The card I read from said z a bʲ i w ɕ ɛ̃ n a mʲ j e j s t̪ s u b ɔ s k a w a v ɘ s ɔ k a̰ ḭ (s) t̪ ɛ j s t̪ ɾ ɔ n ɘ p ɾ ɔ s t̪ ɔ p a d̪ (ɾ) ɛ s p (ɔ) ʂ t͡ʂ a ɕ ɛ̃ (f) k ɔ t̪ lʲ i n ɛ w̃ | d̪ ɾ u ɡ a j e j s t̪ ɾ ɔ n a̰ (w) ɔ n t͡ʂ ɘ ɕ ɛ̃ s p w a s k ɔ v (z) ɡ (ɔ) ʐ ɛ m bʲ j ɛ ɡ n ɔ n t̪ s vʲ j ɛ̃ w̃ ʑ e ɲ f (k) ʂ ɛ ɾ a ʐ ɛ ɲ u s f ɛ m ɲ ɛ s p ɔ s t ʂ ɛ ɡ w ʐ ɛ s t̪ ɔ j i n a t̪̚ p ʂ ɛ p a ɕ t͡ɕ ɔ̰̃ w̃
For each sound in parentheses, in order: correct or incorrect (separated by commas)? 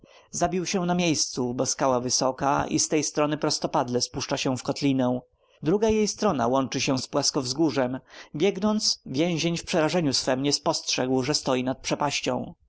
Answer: correct, incorrect, incorrect, correct, correct, correct, incorrect, incorrect